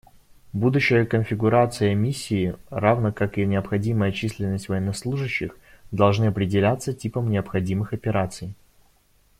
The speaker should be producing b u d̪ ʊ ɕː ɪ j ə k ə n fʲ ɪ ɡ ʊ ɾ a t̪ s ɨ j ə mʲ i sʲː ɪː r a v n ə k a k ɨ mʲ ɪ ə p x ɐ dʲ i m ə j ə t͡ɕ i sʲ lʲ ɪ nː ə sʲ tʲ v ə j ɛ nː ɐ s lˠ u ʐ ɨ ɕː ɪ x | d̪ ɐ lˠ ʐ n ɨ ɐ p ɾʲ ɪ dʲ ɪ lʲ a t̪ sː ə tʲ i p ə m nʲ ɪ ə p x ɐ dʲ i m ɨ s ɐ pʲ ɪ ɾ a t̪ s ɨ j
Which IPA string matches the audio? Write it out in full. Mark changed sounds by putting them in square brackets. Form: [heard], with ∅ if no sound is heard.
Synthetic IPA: b u d̪ ʊ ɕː ɪ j ə k ə n fʲ ɪ ɡ ʊ ɾ a t̪ s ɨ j ə mʲ i sʲː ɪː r a v n ə k a k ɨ [nʲ] ɪ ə p x ɐ dʲ i m ə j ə t͡ɕ i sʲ lʲ ɪ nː ə sʲ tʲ v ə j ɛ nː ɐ s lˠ u ʐ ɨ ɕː ɪ x | d̪ ɐ lˠ ʐ n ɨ ɐ p ɾʲ ɪ dʲ ɪ lʲ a t̪ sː ə tʲ i p ə m nʲ ɪ ə p x ɐ dʲ i m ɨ [x] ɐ pʲ ɪ ɾ a t̪ s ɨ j